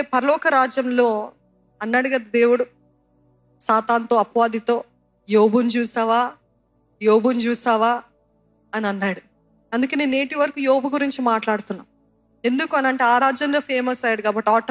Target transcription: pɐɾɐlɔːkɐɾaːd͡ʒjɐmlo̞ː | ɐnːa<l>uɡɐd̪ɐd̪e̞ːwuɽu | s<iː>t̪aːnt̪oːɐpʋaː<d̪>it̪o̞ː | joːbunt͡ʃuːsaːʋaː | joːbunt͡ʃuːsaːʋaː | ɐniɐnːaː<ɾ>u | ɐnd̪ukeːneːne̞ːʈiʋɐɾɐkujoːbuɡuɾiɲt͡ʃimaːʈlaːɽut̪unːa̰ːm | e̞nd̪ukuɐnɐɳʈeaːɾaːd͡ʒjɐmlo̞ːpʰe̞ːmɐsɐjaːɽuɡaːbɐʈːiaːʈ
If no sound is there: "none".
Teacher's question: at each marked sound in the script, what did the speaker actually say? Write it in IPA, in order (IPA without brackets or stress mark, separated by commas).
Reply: ɽ, aː, d̪, ɽ